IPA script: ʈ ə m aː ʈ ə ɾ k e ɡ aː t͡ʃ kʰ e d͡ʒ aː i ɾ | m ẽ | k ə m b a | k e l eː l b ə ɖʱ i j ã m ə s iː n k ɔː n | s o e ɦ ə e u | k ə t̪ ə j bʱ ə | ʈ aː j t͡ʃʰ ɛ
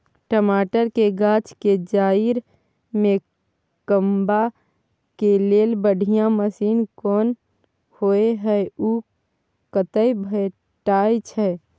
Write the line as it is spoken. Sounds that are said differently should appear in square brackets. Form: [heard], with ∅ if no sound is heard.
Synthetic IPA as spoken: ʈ ə m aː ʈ ə ɾ k e ɡ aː t͡ʃ [k] e d͡ʒ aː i ɾ | m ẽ | k ə m b a | k e l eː l b ə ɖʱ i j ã m ə s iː n k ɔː n | [h] o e ɦ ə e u | k ə t̪ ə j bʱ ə | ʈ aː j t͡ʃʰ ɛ